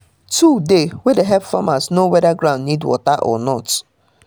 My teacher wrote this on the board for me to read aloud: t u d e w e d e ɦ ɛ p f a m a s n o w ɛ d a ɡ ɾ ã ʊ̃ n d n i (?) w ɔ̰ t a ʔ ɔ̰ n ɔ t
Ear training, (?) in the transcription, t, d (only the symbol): d